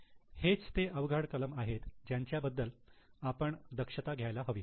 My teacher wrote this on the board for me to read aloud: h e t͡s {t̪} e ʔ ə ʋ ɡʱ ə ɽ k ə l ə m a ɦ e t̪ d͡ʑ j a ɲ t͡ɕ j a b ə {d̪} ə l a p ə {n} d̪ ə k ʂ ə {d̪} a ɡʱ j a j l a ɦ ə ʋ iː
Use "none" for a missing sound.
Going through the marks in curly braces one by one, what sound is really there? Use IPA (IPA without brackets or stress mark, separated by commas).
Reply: t̪, d̪ː, ɳ, t̪